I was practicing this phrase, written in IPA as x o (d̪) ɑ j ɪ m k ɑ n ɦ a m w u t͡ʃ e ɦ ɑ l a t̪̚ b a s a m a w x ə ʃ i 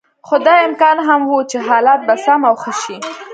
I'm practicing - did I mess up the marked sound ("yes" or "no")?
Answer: no